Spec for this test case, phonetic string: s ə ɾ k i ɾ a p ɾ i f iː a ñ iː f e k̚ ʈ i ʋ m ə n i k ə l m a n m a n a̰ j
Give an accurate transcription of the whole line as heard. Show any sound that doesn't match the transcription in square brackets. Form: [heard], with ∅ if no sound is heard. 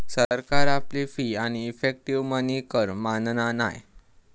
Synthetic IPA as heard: s ə ɾ k [a] ɾ a p [l] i f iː a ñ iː f e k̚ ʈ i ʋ m ə n i k ə [ɾ] m a n [n] a n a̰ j